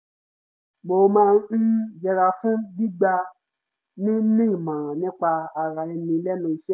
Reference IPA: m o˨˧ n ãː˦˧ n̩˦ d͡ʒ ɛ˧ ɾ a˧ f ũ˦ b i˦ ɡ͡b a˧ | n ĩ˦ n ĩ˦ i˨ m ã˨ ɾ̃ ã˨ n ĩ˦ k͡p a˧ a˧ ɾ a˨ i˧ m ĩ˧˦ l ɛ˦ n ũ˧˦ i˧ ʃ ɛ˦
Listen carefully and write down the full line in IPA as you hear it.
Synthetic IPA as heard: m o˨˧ m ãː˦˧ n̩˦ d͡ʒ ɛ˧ ɾ a˧ f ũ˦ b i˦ ɡ͡b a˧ | n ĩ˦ n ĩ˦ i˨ m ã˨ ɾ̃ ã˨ n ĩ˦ k͡p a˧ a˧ ɾ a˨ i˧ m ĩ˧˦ l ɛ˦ n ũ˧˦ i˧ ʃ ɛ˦

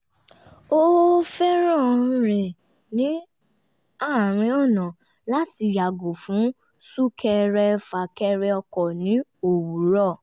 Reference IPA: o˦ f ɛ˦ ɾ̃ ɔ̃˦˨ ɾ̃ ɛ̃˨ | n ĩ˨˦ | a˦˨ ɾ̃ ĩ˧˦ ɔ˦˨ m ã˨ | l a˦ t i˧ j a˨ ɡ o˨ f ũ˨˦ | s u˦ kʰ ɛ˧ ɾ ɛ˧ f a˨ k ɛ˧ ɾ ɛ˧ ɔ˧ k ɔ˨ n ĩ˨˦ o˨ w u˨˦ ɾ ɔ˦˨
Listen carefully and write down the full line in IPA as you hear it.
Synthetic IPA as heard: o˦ f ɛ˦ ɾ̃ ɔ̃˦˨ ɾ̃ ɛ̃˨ | n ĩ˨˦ | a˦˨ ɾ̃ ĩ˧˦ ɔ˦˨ n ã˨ | l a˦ t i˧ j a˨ ɡ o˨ f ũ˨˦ | s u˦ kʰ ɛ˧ ɾ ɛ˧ f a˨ k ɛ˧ ɾ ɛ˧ ɔ˧ k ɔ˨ n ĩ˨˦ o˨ w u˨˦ ɾ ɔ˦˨

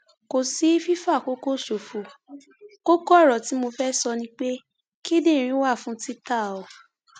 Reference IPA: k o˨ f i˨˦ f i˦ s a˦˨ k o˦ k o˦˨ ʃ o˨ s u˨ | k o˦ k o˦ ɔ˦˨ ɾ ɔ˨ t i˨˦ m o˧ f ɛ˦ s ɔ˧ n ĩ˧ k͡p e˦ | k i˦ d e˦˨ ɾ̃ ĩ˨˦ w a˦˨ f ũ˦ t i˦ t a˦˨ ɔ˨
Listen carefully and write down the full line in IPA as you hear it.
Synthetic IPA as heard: k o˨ s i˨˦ f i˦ f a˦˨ k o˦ k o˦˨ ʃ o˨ f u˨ | k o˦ k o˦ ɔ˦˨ ɾ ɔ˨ t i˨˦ m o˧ f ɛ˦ s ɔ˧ n ĩ˧ k͡p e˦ | k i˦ d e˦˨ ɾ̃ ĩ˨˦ w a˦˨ f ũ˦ t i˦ t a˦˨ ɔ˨

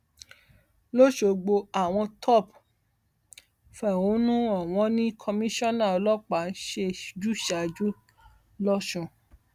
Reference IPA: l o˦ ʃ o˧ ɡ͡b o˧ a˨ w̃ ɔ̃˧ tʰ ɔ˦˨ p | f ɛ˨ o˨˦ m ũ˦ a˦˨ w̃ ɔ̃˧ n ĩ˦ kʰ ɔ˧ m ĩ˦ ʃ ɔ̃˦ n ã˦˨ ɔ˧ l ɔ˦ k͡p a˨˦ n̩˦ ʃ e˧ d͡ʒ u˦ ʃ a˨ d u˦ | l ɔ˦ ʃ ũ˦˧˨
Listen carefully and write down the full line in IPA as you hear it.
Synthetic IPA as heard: l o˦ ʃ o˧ ɡ͡b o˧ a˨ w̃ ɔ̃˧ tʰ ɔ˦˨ p | f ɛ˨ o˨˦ n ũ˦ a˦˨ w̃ ɔ̃˧ n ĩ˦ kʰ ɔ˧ m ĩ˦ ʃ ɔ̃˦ n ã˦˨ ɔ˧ l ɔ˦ k͡p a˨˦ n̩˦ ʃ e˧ d͡ʒ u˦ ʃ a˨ d͡ʒ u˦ | l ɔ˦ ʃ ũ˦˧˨

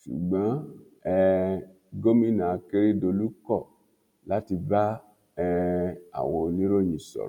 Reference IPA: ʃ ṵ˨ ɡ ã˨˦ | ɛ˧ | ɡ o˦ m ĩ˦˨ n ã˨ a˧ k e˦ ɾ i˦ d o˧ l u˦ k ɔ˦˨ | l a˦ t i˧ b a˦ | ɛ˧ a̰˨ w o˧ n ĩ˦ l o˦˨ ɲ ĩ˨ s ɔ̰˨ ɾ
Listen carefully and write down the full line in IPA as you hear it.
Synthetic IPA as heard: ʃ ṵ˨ ɡ͡b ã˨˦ | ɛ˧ | ɡ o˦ m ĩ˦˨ n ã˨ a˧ k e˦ ɾ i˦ d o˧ l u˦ k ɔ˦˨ | l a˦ t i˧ b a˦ | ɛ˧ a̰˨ w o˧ n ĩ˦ ɾ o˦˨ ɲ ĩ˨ s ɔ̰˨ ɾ

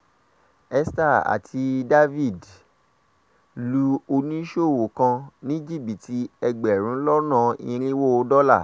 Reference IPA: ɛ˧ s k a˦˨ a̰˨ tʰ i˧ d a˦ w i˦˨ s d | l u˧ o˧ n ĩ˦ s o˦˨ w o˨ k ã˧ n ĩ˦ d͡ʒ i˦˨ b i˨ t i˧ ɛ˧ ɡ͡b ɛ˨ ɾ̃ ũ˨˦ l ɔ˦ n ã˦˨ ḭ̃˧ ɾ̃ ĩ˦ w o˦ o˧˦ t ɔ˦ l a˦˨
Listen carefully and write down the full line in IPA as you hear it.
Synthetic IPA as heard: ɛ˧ s t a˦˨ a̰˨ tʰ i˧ d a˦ v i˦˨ d | l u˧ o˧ n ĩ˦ ʃ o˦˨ w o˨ k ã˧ n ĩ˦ d͡ʒ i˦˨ b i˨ t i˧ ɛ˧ ɡ͡b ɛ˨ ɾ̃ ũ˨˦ l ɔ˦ n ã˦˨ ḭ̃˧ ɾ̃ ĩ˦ w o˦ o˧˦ d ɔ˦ l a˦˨

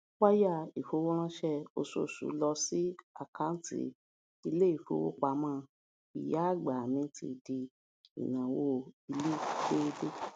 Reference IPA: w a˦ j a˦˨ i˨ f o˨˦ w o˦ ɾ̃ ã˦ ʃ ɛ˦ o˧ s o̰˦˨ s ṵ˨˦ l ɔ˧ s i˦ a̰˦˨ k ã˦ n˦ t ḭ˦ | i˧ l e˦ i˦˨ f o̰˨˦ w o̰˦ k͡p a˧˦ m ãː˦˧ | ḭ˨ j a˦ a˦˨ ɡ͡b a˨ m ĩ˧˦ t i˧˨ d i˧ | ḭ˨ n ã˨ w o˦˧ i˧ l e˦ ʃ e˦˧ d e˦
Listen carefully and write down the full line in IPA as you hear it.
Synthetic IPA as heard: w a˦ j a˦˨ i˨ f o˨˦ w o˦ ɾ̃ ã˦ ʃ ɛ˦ o˧ s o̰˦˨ s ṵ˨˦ l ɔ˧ s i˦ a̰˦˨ k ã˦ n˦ t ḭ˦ | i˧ l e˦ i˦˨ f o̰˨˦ w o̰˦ k͡p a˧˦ m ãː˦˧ | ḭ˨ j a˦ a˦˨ ɡ͡b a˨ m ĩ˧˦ t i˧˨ d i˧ | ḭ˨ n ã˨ w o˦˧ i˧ l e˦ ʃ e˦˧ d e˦

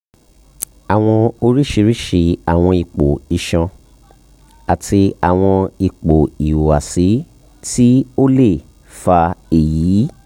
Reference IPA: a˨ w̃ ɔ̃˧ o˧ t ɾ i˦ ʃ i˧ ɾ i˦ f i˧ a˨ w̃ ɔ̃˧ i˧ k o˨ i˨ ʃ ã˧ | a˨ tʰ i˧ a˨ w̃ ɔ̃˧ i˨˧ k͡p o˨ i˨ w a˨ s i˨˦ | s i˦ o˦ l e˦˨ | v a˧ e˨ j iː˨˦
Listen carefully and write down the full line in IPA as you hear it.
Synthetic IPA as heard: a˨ w̃ ɔ̃˧ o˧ ɾ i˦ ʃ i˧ ɾ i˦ ʃ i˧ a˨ w̃ ɔ̃˧ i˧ k͡p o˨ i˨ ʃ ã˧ | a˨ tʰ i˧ a˨ w̃ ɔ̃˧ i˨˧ k͡p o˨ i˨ w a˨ s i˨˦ | t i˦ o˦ l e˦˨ | f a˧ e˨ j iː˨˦

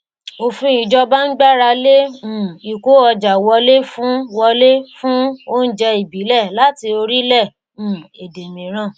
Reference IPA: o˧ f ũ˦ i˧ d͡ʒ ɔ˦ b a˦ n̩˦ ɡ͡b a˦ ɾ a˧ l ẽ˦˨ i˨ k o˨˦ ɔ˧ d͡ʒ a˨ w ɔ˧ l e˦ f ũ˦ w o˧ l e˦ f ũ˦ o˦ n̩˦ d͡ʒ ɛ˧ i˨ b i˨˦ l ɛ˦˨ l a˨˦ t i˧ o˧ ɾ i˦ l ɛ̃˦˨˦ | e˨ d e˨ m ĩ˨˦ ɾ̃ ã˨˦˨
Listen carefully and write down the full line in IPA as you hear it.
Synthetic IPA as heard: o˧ f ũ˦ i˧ d͡ʒ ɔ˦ b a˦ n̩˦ ɡ͡b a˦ ɾ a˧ l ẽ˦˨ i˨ k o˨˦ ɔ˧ d͡ʒ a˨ w ɔ˧ l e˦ f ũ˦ w ɔ˧ l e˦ f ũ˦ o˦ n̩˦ d͡ʒ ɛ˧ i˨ b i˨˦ l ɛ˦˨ l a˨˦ t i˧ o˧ ɾ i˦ l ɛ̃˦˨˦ | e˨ d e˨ m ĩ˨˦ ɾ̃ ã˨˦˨

